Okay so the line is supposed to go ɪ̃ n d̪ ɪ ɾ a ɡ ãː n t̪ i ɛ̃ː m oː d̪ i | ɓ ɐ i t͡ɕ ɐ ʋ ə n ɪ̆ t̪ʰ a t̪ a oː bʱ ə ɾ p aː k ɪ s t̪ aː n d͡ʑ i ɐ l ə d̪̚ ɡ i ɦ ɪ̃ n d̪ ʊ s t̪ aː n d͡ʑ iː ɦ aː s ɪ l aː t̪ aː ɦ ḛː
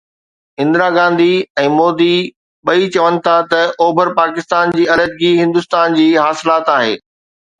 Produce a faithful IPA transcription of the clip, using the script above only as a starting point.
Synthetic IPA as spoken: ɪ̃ n d̪ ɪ ɾ a ɡ ãː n d̪ i ɛ̃ː m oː d̪ i | ɓ ɐ i t͡ɕ ɐ ʋ ə n ɪ̆ t̪ʰ a t̪ ɐ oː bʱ ə ɾ p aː k ɪ s t̪ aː n d͡ʑ iː ɐ l ə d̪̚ ɡ i ɦ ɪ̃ n d̪ ʊ s t̪ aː n d͡ʑ iː ɦ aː s ɪ l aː t̪ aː ɦ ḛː